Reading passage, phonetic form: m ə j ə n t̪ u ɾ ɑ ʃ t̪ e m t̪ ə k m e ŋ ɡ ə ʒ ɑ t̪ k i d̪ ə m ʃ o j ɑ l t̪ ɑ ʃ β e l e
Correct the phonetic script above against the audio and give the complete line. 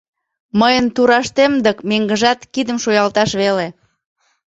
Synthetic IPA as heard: m ə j ə n t̪ u ɾ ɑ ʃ t̪ e m d̪ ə k m e ŋ ɡ ə ʒ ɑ t̪ k i d̪ ə m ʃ o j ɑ l t̪ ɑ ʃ β e l e